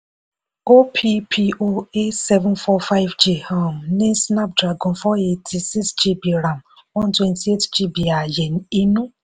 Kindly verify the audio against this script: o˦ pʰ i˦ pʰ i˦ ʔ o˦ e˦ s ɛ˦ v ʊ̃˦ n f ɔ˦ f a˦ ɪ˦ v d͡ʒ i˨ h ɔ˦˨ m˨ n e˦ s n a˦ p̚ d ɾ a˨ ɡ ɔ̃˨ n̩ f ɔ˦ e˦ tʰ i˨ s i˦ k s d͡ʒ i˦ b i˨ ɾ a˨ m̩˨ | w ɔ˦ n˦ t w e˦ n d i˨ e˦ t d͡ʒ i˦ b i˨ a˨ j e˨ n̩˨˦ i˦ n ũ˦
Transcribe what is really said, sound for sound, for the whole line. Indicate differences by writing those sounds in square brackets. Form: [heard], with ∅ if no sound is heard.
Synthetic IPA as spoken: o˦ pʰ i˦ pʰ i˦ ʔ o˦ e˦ s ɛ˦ v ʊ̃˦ n f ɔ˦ f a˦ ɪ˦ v d͡ʒ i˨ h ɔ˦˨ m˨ n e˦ s n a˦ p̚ d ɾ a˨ ɡ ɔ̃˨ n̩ f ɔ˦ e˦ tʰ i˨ s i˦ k s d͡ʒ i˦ b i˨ ɾ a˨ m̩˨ | w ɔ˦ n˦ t w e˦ n [t] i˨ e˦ t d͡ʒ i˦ b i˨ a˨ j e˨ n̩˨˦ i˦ n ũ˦

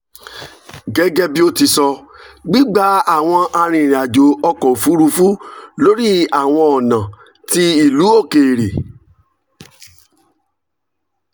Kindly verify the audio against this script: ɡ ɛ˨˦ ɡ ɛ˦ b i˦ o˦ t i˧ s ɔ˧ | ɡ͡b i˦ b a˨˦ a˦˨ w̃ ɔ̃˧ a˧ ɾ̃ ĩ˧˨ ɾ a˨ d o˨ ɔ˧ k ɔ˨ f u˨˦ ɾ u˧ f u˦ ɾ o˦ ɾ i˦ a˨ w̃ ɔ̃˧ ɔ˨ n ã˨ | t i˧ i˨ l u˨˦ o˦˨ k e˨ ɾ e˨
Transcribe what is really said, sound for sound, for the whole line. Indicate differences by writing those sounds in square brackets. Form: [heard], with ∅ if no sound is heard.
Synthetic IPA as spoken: ɡ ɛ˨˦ ɡ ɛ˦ b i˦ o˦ t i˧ s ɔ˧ | ɡ͡b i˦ [ɡ͡b] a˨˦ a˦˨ w̃ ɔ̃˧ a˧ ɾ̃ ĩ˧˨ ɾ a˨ [d͡ʒ] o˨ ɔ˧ k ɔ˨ f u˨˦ ɾ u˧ f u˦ [l] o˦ ɾ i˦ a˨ w̃ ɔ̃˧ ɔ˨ n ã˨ | t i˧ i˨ l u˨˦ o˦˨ k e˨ ɾ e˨

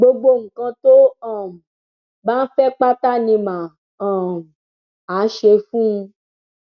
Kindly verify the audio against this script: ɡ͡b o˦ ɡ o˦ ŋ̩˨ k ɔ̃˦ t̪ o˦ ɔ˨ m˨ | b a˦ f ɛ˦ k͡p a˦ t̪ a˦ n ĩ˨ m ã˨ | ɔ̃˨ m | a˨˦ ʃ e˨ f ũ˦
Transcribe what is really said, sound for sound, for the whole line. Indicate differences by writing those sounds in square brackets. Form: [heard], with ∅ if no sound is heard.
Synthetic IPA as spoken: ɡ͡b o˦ [ɡ͡b] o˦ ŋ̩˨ k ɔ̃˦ t̪ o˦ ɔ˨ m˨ | b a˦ f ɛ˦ k͡p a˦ t̪ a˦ n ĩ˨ m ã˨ | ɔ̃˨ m | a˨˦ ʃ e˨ f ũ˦

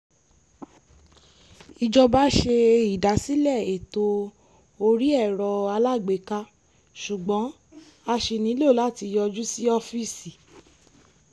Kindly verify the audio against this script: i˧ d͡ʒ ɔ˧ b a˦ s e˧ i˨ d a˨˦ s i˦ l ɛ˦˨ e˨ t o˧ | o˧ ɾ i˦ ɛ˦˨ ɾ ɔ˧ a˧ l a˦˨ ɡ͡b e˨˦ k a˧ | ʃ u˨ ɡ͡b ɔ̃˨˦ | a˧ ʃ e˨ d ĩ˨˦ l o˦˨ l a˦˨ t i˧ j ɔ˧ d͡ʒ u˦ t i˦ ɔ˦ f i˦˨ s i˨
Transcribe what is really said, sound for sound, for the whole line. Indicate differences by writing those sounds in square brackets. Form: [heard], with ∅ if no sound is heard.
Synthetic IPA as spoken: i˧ d͡ʒ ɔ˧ b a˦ [ʃ] e˧ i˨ d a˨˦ s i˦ l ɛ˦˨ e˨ t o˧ | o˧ ɾ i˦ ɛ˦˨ ɾ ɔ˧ a˧ l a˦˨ ɡ͡b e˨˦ k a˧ | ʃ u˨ ɡ͡b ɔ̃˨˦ | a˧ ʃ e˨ [n] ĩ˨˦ l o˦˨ l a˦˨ t i˧ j ɔ˧ d͡ʒ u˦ [s] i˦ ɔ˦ f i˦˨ s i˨

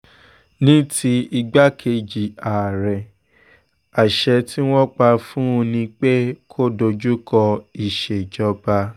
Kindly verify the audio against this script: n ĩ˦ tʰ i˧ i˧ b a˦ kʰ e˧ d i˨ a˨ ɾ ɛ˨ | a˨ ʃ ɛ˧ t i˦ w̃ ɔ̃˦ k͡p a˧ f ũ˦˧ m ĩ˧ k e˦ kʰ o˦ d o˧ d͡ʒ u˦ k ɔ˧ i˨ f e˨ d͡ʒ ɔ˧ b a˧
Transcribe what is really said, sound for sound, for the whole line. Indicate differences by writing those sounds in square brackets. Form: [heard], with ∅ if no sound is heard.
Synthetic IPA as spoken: n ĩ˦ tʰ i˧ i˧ [ɡ͡b] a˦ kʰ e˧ [d͡ʒ] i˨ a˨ ɾ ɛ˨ | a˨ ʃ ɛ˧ t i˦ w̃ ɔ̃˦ k͡p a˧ f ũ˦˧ [n] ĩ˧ [k͡p] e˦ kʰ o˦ d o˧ d͡ʒ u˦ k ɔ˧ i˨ [ʃ] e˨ d͡ʒ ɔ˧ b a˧

